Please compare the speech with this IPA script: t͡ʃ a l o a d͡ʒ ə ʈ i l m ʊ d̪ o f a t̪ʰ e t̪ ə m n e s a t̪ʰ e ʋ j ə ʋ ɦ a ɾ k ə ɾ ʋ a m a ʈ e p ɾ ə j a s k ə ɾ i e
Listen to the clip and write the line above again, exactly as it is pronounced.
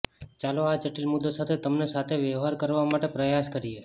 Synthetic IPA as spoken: t͡ʃ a l o a d͡ʒ ə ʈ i l m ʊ d̪ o s a t̪ʰ e t̪ ə m n e s a t̪ʰ e ʋ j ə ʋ ɦ a ɾ k ə ɾ ʋ a m a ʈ e p ɾ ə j a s k ə ɾ i e